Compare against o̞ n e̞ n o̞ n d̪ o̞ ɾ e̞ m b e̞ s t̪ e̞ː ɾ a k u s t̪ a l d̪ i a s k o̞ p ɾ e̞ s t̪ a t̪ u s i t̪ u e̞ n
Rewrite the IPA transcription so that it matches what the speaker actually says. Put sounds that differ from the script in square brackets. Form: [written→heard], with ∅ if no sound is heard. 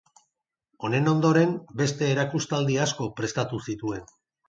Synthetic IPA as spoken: o̞ n e̞ n o̞ n d̪ o̞ ɾ e̞ m b e̞ s t̪ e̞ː ɾ a k u s t̪ a l d̪ i a s k o̞ p ɾ e̞ s t̪ a t̪ u s i t̪ u e̞ n